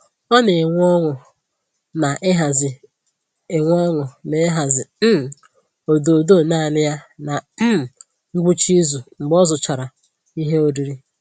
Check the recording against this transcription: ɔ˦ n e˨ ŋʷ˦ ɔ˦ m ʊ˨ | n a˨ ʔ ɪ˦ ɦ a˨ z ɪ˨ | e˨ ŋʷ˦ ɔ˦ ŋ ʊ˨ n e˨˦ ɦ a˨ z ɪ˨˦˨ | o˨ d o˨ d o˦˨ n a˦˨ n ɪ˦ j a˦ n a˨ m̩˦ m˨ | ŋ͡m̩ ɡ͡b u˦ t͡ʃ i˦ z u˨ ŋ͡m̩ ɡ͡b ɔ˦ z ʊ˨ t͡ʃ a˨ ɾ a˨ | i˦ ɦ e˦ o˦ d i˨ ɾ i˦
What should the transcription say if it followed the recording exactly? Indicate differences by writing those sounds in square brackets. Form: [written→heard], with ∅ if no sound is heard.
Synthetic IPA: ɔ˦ n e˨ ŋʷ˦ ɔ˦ [m→ŋ] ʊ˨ | n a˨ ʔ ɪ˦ ɦ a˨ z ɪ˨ | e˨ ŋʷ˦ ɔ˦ ŋ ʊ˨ n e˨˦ ɦ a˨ z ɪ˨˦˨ | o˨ d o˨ d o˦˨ n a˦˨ n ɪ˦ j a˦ n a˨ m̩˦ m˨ | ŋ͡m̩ ɡ͡b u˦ t͡ʃ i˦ z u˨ ŋ͡m̩ ɡ͡b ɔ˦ z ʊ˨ t͡ʃ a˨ ɾ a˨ | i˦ ɦ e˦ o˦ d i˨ ɾ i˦